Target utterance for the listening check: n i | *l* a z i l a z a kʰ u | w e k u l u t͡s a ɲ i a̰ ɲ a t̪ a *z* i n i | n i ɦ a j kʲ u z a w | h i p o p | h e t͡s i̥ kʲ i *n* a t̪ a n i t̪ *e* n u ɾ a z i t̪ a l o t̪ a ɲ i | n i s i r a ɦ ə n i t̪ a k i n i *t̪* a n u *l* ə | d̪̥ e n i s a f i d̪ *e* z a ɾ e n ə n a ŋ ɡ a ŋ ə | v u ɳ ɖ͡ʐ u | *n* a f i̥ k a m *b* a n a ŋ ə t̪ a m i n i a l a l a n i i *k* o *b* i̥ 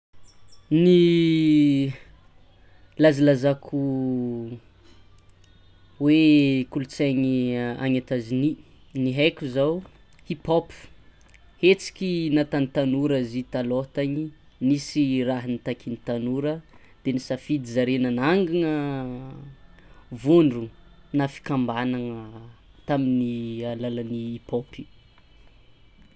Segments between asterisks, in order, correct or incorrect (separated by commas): correct, correct, correct, incorrect, correct, incorrect, incorrect, correct, correct, incorrect, incorrect